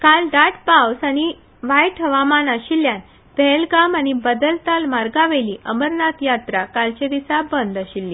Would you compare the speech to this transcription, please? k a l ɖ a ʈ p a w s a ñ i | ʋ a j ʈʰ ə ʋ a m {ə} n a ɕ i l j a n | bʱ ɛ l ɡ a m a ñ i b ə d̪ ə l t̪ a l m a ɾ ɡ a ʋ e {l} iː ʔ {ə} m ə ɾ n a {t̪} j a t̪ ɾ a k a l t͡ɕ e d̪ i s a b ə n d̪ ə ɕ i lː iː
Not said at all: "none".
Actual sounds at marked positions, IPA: a, l, ə, t̪

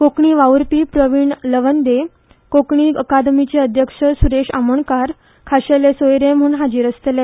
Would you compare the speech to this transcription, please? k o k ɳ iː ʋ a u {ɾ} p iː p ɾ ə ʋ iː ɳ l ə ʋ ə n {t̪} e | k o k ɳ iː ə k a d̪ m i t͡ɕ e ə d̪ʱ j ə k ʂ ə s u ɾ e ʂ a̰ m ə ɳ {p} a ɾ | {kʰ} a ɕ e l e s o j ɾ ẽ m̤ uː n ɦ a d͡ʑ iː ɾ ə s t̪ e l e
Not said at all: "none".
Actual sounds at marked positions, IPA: ɾ, d̪, k, kʰ

